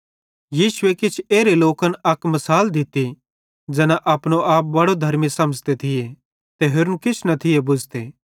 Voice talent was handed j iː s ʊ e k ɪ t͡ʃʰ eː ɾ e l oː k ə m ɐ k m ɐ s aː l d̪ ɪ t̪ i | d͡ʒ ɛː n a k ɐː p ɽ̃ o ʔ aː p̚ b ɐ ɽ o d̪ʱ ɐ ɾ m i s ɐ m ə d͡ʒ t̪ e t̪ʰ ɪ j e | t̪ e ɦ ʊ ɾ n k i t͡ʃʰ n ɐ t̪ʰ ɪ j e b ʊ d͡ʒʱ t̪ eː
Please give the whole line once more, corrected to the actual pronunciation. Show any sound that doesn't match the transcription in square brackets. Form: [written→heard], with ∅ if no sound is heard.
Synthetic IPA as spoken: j iː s ʊ e k ɪ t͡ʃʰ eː ɾ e l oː k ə [m→n] ɐ k m ɐ s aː l d̪ ɪ t̪ i | d͡ʒ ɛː n a [k→ʔ] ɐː p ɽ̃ o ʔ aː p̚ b ɐ ɽ o d̪ʱ ɐ ɾ m i s ɐ m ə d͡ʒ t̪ e t̪ʰ ɪ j e | t̪ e ɦ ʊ ɾ n k [i→ɪ] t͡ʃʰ n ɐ t̪ʰ ɪ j e b ʊ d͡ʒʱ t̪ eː